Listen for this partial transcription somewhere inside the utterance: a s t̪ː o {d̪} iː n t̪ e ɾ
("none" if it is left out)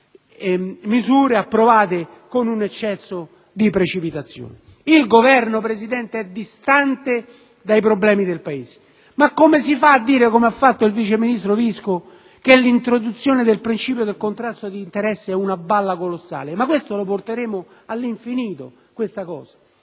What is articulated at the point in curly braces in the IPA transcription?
d̪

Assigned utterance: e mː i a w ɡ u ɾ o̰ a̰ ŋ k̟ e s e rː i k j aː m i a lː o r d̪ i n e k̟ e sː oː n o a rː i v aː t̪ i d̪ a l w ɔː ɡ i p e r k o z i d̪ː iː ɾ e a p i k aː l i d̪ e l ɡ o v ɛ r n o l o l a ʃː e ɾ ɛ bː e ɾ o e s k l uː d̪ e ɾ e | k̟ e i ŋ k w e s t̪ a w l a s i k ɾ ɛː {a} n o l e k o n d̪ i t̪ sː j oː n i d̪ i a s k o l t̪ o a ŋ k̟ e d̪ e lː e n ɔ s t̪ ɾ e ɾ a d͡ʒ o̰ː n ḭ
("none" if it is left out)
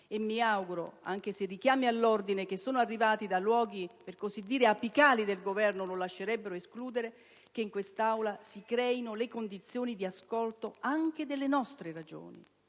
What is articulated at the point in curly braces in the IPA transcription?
i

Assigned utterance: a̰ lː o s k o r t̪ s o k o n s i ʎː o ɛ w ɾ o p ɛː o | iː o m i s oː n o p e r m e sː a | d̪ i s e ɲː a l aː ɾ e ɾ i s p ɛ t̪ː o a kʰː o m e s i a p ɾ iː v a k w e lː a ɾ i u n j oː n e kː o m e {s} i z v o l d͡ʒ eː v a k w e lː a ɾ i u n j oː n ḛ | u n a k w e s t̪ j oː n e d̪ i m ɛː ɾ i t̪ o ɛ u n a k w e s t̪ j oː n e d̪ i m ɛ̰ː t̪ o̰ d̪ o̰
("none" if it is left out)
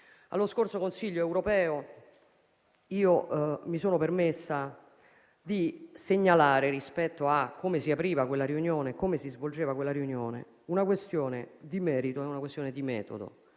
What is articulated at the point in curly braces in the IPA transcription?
s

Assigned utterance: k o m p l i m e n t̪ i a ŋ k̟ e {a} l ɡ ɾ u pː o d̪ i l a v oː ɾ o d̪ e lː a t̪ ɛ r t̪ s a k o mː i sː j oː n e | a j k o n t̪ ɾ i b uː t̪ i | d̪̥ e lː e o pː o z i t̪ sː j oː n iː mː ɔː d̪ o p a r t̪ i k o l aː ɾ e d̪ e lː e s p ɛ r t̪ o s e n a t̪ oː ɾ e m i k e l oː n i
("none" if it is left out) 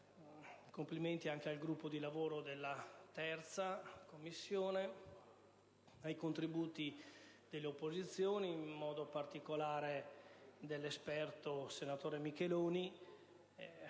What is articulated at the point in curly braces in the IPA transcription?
a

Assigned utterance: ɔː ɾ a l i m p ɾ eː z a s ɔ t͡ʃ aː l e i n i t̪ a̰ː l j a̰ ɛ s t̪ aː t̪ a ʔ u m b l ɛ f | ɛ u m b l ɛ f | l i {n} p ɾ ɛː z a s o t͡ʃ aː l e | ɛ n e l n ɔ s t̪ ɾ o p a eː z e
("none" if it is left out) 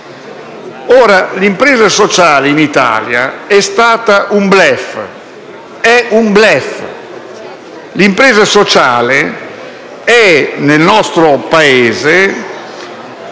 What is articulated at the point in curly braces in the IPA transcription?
m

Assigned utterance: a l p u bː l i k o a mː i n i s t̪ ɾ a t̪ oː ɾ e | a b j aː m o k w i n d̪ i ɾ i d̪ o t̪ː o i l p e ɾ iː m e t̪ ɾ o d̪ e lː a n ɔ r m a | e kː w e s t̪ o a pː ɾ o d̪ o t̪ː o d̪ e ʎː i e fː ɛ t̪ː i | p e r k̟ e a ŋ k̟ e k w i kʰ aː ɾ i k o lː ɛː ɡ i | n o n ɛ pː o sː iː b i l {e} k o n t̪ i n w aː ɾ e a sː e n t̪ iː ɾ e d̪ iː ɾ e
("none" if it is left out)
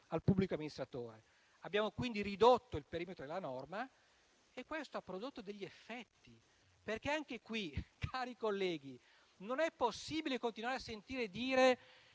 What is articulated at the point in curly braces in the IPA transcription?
e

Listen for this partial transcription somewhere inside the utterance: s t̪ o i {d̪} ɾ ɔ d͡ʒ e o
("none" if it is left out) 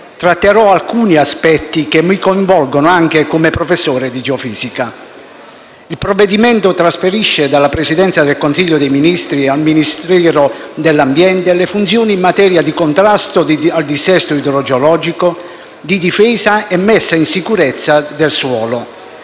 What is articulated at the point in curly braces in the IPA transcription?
d̪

